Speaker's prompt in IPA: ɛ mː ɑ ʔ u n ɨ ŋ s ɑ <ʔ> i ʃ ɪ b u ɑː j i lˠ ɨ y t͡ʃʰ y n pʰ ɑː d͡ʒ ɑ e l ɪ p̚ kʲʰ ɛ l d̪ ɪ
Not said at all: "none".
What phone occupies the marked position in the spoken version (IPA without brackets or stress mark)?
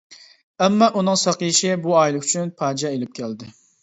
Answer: q